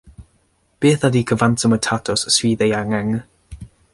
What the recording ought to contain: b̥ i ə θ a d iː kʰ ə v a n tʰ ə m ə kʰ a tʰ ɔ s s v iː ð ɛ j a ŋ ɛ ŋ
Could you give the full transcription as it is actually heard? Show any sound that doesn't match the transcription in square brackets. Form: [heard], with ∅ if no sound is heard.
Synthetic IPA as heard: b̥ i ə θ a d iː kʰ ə v a n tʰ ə m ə [tʰ] a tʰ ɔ s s [w] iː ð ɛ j a ŋ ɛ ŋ